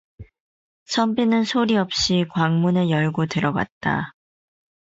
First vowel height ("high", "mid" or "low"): mid